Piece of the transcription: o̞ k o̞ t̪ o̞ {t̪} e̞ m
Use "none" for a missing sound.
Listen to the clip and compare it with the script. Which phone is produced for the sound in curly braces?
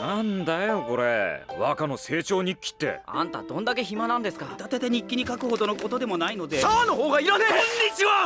d̪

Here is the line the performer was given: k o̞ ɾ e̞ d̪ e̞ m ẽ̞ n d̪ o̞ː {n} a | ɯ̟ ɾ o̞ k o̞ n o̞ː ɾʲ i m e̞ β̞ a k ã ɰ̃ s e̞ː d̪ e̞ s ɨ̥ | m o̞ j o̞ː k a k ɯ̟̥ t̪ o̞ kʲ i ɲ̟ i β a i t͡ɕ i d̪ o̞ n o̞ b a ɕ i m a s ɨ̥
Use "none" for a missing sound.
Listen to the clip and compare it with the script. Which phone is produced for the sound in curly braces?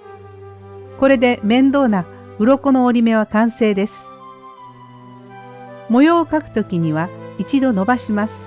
n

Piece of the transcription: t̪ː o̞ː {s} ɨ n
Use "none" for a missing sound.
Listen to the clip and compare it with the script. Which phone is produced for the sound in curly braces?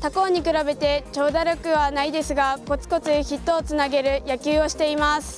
t͡s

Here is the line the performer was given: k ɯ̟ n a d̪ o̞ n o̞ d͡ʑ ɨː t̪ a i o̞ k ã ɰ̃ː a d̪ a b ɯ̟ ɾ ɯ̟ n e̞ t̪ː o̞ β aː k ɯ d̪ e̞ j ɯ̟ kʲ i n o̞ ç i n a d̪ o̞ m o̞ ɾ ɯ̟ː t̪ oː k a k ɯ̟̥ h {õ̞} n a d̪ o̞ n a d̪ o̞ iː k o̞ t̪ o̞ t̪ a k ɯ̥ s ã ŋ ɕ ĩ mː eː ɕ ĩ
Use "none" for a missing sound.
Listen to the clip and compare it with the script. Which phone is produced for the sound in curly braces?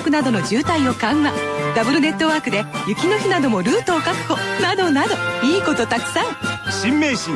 o̞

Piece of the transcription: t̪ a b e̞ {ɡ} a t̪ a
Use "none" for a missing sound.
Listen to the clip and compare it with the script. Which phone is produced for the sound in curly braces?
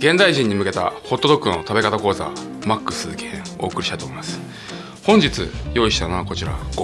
k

